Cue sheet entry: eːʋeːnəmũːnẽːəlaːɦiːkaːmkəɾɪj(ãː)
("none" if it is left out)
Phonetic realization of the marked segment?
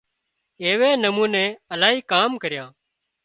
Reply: ãː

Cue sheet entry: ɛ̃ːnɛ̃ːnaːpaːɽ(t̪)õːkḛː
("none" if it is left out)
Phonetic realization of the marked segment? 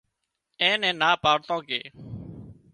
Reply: t̪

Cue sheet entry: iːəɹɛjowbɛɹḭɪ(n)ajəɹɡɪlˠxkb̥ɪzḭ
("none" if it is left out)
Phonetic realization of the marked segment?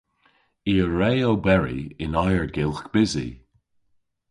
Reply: n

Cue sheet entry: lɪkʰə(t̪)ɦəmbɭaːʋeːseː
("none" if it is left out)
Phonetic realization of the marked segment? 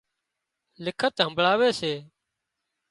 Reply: t̪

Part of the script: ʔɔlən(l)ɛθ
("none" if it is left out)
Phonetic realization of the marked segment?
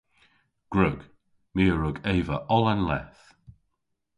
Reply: l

